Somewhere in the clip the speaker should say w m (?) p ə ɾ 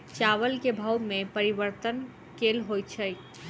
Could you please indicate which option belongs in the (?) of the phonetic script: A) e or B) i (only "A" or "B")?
A